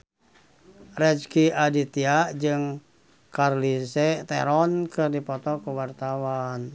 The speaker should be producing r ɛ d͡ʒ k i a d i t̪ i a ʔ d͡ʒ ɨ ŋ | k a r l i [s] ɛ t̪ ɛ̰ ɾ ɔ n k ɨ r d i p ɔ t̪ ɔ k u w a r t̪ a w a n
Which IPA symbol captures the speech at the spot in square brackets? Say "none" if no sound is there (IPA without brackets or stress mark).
s